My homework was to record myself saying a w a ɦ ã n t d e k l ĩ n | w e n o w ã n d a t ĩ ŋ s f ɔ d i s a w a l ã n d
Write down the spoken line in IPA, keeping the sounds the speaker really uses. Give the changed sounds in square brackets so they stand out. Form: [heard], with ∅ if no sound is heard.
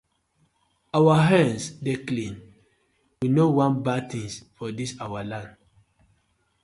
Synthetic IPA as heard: a w a ɦ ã n [s] d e k l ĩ n | w [i] n o w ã n [b] a t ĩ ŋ s f ɔ d i s a w a l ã n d